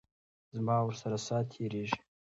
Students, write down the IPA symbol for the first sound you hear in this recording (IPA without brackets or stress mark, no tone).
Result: z